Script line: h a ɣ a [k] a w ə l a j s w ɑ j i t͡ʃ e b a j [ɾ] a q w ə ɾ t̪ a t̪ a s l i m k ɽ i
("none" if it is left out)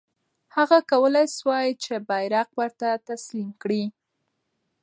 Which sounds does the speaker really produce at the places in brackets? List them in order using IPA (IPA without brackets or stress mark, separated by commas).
k, ɾ